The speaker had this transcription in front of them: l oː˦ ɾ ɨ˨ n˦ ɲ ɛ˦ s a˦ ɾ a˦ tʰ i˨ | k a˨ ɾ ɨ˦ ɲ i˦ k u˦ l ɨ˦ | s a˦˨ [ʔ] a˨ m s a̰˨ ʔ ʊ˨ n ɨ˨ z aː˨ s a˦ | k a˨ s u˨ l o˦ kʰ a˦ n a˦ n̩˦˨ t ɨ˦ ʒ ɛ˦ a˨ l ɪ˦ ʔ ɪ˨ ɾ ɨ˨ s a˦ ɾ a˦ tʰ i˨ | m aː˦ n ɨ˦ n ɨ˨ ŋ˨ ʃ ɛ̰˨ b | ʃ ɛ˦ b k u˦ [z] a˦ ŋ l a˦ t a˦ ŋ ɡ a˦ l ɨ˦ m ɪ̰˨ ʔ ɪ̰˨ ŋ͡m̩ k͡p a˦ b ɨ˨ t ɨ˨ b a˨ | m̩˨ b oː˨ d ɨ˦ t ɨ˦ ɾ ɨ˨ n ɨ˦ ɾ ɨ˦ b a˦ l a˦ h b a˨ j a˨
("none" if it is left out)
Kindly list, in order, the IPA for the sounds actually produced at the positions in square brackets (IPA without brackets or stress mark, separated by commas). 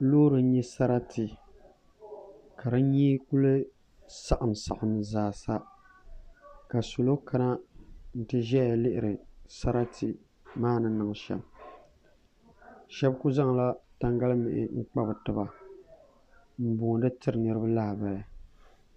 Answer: ʔ, z